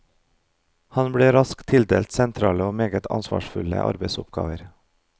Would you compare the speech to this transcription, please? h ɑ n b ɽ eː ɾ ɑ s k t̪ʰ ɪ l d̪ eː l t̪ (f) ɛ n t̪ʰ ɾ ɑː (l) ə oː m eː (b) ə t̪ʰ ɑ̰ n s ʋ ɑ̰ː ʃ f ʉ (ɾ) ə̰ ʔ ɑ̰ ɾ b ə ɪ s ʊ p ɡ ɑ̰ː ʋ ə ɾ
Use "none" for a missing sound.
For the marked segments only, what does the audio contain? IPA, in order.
s, l, ɡ, l

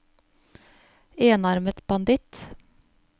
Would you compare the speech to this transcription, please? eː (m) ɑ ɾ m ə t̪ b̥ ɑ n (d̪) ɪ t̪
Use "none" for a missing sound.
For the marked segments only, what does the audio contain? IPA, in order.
n, d̪

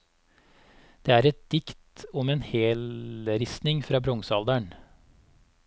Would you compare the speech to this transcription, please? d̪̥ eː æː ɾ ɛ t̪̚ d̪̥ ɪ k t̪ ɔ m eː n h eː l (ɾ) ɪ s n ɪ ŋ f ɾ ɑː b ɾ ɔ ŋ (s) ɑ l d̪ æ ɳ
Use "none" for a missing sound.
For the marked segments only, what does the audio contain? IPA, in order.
ɾ, s

